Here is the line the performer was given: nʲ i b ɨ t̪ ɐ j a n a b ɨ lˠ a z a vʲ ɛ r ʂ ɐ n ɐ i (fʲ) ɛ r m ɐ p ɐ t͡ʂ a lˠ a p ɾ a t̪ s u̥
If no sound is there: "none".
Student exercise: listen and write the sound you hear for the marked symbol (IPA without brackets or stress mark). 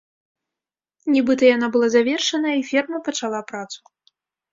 fʲ